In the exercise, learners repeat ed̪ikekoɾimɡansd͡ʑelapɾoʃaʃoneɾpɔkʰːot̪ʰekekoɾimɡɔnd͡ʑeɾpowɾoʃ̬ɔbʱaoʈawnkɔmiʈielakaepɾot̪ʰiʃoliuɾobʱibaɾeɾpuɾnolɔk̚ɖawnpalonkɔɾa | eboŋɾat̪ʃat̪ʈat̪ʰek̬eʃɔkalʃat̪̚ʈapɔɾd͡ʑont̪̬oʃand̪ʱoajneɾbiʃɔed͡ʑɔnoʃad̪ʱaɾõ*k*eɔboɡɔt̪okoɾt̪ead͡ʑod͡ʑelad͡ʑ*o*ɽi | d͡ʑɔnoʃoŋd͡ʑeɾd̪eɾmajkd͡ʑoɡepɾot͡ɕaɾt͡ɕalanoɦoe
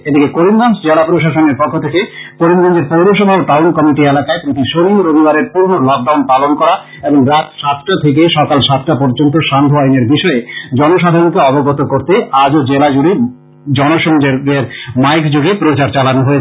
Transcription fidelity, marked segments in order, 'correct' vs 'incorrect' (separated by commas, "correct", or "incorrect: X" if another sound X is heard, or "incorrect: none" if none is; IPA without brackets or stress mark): correct, incorrect: u